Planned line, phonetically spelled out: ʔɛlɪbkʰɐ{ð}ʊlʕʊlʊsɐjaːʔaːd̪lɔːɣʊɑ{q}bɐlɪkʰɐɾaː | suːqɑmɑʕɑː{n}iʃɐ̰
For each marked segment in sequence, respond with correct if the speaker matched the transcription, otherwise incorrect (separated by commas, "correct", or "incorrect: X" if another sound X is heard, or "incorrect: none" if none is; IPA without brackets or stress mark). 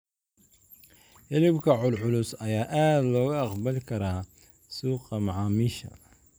incorrect: ʕ, correct, incorrect: m